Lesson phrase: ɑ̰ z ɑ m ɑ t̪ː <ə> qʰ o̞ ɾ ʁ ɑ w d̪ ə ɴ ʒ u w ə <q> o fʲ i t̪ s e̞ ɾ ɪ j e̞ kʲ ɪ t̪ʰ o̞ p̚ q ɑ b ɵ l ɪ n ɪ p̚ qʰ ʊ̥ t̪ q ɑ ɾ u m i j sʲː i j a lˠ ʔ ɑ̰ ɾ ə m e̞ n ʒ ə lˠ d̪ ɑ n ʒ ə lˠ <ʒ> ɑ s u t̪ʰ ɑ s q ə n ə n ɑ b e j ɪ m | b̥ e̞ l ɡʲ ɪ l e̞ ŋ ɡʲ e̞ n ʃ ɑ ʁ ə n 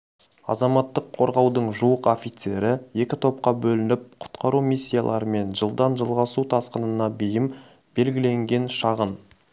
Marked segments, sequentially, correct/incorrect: correct, correct, incorrect

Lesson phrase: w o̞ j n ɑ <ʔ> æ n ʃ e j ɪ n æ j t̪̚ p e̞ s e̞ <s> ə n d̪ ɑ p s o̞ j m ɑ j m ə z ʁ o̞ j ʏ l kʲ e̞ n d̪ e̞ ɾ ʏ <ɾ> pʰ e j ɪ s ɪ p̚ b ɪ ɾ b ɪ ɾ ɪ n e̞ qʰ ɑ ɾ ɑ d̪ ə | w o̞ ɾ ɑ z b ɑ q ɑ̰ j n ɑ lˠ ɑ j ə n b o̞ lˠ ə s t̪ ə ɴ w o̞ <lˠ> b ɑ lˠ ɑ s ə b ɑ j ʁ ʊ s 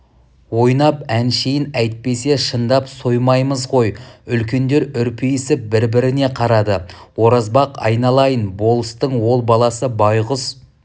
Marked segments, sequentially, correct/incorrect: incorrect, incorrect, correct, correct

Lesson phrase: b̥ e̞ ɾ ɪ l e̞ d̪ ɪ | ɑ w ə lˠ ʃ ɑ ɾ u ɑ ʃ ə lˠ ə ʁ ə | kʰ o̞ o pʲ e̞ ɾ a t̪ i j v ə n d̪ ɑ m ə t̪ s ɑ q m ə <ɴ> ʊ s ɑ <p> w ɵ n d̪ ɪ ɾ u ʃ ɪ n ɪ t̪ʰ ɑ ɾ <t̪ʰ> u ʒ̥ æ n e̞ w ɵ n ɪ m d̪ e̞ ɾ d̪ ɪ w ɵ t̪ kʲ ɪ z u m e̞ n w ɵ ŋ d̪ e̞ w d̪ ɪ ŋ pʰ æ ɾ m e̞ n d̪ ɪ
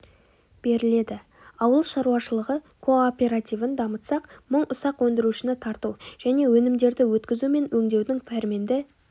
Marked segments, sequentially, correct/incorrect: correct, incorrect, incorrect

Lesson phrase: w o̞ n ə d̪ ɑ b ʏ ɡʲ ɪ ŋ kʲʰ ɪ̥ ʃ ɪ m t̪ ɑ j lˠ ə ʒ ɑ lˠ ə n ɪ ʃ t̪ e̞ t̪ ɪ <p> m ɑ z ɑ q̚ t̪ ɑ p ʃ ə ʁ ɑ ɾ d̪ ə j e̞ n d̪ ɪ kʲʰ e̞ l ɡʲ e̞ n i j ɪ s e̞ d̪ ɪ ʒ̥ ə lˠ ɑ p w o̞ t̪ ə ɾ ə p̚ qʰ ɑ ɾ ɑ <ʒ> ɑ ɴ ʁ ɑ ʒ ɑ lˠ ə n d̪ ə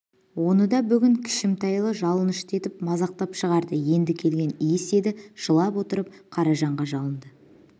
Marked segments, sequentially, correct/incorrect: correct, correct

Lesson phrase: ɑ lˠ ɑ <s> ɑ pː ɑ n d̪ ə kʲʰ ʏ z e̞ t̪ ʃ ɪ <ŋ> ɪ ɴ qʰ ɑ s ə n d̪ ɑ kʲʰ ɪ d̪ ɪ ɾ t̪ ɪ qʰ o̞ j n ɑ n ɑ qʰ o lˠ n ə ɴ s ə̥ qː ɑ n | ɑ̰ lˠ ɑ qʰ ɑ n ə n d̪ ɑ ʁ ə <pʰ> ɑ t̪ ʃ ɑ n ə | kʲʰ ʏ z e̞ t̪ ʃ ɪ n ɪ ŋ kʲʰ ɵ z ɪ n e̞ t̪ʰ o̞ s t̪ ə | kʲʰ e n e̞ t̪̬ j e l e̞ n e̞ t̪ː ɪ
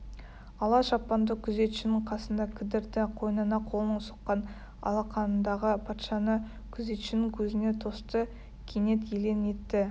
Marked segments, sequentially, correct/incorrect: incorrect, incorrect, correct

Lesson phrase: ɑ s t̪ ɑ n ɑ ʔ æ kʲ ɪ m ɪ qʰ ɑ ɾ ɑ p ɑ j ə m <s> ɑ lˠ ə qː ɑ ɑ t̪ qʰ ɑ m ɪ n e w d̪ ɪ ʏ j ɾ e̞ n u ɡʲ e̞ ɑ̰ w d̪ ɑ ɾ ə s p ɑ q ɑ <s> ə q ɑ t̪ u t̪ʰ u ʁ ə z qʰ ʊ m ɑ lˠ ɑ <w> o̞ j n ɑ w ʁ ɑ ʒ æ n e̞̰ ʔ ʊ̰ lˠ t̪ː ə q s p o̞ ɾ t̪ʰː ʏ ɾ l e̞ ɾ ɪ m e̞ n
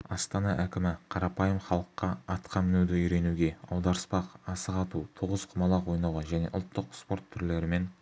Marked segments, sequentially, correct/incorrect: incorrect, correct, correct

